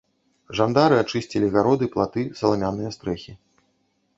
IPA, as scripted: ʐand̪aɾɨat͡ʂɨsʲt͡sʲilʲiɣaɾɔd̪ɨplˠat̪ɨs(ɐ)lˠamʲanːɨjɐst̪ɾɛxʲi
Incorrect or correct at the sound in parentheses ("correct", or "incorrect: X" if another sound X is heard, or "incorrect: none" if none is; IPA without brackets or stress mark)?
correct